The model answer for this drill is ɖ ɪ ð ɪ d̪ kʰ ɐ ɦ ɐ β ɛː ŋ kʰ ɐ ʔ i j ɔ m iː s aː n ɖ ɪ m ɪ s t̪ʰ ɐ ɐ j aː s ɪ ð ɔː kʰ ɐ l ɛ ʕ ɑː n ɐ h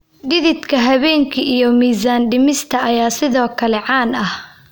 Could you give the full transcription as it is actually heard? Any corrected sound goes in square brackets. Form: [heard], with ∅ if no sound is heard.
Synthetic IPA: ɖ ɪ ð ɪ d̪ kʰ ɐ ɦ ɐ β ɛː ŋ kʰ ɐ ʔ i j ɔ m iː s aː n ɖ ɪ m ɪ s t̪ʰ ɐ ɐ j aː s ɪ ð ɔː kʰ ɐ l ɛ ʕ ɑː n ɐ h